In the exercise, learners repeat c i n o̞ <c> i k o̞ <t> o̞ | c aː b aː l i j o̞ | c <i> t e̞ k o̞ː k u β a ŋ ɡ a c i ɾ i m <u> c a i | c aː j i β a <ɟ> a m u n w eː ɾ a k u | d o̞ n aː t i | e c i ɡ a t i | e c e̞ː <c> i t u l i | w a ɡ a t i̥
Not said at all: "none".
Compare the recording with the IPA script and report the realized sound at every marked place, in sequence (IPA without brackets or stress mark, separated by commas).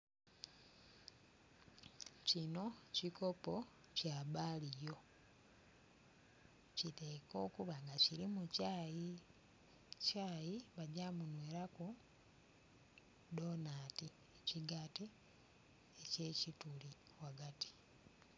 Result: c, p, i, u, ɟ, c